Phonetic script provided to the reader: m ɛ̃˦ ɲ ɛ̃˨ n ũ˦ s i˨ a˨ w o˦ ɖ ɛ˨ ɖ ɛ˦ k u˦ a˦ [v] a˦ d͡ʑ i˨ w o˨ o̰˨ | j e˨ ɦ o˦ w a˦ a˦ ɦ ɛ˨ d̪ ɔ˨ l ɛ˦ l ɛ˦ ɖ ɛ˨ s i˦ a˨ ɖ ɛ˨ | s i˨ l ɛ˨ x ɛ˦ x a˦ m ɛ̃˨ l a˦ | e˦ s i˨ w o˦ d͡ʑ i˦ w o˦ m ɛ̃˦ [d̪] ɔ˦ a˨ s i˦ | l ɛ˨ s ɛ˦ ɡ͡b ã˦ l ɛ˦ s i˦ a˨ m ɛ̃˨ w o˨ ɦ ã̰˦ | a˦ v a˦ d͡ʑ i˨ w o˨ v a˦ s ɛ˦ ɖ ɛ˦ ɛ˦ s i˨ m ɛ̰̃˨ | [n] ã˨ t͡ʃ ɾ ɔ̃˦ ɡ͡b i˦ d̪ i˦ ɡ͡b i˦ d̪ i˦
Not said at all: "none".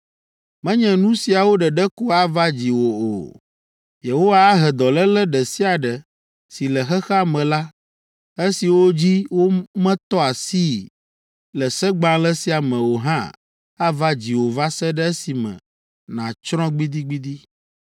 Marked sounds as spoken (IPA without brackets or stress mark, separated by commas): v, t̪, n